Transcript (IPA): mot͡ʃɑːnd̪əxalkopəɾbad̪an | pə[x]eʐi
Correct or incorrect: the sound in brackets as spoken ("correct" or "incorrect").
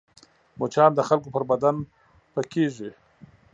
incorrect